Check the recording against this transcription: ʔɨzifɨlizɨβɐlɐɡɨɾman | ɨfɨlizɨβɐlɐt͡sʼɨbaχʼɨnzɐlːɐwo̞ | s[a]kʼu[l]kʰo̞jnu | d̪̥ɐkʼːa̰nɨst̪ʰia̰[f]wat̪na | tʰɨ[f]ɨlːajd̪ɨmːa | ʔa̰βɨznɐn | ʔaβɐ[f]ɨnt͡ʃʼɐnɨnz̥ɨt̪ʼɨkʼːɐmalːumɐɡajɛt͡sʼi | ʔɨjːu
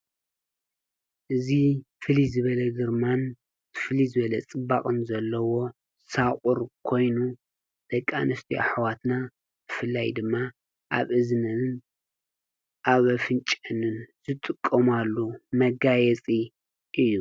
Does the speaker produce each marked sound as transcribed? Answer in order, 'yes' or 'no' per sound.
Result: yes, no, no, yes, yes

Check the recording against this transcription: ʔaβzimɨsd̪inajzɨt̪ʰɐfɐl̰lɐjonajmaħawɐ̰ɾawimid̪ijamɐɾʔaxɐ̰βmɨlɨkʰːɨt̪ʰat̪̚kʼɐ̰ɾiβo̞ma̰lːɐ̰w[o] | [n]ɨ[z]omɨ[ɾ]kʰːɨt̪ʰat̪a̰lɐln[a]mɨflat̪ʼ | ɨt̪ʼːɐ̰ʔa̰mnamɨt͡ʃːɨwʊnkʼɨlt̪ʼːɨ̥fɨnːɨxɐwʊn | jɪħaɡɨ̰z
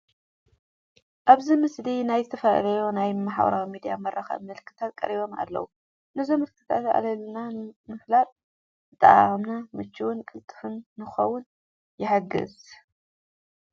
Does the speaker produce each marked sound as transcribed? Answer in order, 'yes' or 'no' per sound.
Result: no, yes, yes, no, yes

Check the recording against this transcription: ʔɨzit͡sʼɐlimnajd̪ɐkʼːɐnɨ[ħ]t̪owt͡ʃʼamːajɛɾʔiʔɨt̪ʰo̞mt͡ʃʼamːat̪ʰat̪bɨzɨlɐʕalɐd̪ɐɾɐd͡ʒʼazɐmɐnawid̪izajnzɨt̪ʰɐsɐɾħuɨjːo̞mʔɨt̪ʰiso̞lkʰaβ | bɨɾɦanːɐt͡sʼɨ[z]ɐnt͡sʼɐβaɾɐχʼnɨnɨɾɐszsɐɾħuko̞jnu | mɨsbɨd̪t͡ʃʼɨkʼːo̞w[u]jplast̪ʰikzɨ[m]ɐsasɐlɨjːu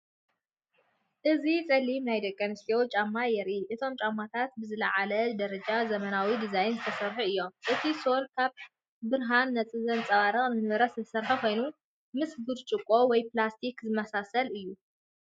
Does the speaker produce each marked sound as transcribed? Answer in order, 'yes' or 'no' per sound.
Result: no, yes, no, yes

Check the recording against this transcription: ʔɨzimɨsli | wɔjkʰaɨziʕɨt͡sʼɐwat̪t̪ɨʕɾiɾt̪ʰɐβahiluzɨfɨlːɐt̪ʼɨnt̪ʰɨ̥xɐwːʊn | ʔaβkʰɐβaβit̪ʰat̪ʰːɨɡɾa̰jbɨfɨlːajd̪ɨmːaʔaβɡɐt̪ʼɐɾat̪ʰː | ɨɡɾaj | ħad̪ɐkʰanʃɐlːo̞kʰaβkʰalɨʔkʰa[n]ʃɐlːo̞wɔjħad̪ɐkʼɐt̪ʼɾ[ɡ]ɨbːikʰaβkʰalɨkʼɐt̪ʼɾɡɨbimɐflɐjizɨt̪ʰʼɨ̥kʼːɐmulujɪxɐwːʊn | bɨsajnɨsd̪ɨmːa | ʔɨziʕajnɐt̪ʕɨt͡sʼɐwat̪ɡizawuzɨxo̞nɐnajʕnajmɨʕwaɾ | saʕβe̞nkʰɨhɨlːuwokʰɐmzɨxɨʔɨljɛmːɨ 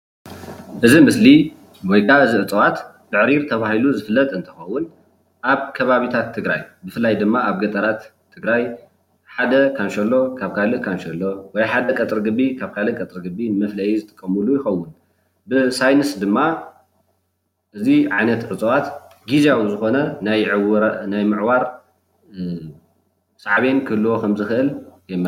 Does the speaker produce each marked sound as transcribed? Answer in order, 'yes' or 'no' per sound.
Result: yes, yes

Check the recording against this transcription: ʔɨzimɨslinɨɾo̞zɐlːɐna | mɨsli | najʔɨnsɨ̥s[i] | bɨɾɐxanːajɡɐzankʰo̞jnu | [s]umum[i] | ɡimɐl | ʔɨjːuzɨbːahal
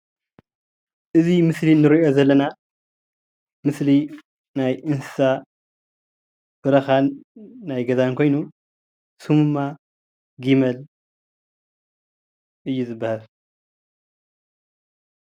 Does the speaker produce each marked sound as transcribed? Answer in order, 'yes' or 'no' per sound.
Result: no, yes, no

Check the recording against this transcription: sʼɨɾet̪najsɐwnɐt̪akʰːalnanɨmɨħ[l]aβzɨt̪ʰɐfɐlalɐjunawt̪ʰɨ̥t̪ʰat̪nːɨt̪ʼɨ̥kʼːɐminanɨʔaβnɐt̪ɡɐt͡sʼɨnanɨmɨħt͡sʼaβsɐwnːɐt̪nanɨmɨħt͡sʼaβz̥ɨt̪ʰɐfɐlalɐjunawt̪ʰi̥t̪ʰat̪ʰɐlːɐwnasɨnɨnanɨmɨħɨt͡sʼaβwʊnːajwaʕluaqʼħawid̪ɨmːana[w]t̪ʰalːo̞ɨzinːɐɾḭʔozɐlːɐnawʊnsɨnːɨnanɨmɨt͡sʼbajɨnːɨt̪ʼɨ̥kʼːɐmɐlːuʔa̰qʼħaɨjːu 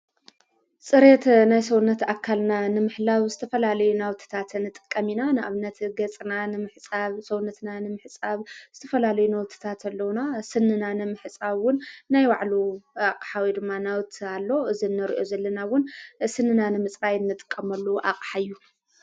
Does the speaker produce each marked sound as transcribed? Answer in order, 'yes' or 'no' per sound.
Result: yes, yes

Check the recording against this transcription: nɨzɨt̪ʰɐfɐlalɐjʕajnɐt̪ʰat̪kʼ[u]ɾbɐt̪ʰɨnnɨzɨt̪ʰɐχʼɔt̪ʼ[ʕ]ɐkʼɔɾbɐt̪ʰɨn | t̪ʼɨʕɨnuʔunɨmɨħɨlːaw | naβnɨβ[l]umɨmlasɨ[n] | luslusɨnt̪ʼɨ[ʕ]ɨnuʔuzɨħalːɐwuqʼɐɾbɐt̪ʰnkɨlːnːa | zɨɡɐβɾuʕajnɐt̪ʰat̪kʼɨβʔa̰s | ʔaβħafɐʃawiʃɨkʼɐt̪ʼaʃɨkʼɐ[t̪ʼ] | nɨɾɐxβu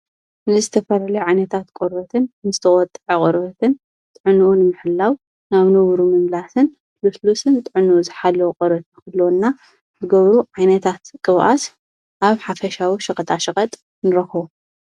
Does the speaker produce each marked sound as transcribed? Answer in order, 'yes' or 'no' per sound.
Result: no, yes, no, yes, yes, yes

